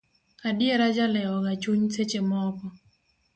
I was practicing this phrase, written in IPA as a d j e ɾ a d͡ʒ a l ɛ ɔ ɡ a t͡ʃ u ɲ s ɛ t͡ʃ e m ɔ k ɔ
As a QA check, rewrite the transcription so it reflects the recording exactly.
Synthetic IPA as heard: a d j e ɾ a d͡ʒ a l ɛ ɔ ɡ a t͡ʃ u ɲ s e t͡ʃ e m ɔ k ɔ